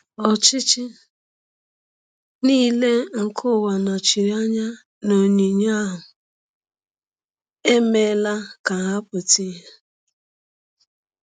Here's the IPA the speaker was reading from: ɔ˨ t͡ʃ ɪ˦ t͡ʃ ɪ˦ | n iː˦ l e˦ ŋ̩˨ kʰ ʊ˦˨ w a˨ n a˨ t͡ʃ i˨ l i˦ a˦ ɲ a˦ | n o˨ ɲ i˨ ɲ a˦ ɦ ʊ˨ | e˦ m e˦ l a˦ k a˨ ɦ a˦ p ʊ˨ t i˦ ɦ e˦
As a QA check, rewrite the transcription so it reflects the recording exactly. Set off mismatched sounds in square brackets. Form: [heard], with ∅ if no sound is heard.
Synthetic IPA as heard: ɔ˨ t͡ʃ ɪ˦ t͡ʃ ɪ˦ | n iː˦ l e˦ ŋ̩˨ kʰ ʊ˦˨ w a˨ n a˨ t͡ʃ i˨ [ɾ] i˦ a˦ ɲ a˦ | n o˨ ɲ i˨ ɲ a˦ ɦ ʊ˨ | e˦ m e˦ l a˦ k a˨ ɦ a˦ p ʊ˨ t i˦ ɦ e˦